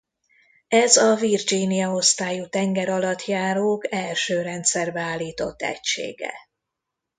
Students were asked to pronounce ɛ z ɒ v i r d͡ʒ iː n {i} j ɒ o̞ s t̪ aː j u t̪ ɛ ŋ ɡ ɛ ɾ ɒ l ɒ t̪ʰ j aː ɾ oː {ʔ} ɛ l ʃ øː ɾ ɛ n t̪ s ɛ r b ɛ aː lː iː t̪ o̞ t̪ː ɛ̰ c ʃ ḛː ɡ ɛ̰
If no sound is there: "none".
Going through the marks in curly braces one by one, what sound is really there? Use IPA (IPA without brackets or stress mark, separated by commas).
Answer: i, k